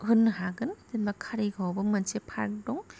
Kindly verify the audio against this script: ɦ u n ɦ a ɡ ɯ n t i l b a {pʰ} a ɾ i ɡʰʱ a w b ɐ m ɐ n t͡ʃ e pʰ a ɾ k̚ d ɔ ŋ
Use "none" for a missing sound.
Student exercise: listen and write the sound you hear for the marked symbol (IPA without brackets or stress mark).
kʰ